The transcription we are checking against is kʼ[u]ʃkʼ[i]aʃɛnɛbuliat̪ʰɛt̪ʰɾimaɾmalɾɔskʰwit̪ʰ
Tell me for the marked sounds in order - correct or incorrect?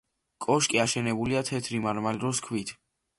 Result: incorrect: ɔ, correct

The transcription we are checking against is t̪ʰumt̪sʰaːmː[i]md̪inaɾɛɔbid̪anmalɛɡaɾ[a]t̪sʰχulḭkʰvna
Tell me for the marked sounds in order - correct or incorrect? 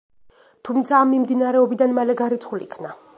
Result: correct, incorrect: i

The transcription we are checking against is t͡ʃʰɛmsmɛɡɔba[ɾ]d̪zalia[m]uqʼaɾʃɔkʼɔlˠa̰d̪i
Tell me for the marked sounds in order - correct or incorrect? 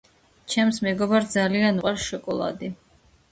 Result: correct, incorrect: n

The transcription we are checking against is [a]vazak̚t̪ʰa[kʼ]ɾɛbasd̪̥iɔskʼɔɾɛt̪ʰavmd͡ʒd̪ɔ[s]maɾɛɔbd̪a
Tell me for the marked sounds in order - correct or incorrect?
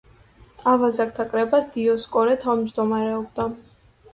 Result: correct, correct, incorrect: none

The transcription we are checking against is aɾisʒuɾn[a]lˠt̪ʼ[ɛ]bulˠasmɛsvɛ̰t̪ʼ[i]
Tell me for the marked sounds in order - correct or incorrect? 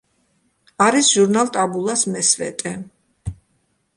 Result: correct, incorrect: a, incorrect: ɛ

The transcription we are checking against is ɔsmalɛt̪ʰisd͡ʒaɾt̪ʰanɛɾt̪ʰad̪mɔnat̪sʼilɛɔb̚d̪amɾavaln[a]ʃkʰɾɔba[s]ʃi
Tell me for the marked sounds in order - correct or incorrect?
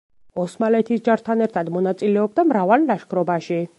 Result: correct, incorrect: none

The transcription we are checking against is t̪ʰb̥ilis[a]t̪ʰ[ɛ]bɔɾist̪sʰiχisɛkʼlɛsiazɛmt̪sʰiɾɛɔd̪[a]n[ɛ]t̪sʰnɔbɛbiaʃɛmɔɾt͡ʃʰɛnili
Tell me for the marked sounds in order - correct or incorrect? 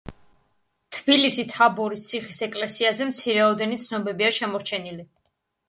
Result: incorrect: i, incorrect: a, incorrect: ɛ, incorrect: i

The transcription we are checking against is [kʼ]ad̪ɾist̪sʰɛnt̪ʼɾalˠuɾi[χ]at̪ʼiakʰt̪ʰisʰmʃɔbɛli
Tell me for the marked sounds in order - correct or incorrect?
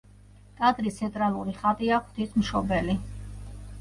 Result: correct, correct

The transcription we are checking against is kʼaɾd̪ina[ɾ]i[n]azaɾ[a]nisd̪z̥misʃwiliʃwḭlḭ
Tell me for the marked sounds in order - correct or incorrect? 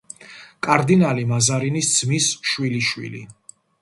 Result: incorrect: l, incorrect: m, incorrect: i

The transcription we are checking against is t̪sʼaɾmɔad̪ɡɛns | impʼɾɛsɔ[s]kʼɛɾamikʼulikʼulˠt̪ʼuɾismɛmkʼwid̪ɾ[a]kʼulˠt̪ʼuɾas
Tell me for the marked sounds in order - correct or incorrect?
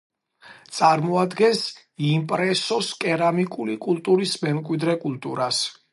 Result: correct, incorrect: ɛ

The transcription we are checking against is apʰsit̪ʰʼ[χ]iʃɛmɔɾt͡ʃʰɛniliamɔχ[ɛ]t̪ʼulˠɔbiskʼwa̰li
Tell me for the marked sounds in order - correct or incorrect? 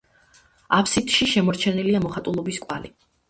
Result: incorrect: ʃ, incorrect: a

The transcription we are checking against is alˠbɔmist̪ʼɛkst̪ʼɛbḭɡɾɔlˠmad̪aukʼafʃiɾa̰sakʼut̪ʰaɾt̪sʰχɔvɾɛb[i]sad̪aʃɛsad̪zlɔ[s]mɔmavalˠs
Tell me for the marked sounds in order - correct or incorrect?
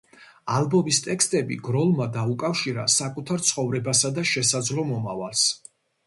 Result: incorrect: a, incorrect: none

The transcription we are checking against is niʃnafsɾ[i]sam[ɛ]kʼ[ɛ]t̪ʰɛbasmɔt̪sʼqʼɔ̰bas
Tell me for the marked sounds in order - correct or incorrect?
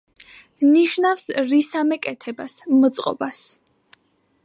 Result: correct, correct, correct

